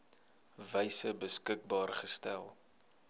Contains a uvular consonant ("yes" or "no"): yes